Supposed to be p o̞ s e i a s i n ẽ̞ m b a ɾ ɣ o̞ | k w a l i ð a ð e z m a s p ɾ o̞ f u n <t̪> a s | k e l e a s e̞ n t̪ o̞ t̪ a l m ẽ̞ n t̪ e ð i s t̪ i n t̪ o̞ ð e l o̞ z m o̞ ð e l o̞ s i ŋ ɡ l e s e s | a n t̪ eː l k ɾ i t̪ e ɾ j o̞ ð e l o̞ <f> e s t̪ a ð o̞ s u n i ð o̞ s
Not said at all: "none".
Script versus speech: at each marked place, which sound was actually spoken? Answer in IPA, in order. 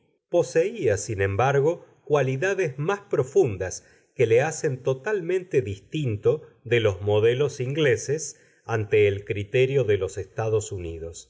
d̪, s

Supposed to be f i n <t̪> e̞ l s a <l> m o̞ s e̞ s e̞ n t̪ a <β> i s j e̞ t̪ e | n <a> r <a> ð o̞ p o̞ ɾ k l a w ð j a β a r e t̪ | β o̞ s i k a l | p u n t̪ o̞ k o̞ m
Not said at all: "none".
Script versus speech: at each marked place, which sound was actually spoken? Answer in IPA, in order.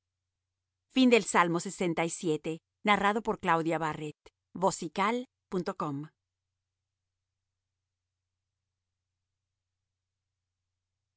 d̪, l, none, a, a

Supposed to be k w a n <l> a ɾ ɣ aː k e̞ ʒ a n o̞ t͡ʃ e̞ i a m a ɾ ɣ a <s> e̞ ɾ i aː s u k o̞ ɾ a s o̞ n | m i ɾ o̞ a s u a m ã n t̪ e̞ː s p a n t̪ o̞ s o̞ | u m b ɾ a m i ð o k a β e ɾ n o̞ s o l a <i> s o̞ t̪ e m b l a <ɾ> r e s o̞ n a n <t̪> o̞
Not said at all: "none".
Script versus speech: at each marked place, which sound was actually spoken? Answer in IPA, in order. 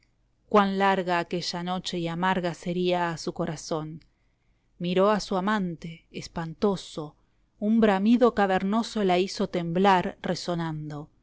l, s, i, ɾ, d̪

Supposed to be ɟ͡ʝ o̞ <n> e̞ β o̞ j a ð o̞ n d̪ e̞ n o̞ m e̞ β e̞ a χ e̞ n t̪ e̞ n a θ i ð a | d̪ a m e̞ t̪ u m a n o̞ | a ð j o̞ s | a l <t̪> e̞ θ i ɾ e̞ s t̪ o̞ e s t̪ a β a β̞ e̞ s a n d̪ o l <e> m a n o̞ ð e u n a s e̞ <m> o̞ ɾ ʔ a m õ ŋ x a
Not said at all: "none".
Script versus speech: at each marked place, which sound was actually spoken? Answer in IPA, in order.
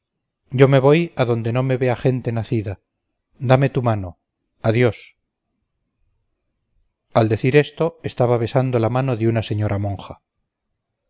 m, d̪, a, ɲ

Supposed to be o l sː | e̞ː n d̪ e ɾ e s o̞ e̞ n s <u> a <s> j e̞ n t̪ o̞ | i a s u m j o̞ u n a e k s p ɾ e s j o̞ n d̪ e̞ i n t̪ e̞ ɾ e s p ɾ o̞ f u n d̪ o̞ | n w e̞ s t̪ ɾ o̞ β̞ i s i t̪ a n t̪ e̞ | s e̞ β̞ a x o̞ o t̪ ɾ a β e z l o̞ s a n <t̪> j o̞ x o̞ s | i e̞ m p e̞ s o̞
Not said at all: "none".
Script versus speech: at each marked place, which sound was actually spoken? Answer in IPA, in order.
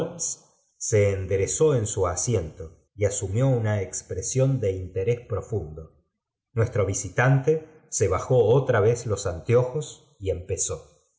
u, s, t̪

